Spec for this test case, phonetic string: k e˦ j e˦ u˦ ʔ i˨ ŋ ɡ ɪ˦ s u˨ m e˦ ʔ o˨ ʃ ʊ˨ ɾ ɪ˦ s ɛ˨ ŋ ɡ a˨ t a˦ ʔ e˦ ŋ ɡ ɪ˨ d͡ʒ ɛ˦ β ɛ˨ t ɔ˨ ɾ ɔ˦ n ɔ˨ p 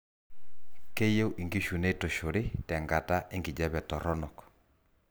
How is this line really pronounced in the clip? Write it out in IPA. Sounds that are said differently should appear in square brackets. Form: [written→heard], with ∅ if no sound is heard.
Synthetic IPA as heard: k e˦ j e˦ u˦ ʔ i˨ ŋ ɡ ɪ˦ [s→ʃ] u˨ [m→n] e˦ [ʔ→t] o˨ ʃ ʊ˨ ɾ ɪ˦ [s→t] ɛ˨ ŋ ɡ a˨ t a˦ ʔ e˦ ŋ ɡ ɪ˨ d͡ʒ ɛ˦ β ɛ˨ t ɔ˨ ɾ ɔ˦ n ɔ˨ [p→k]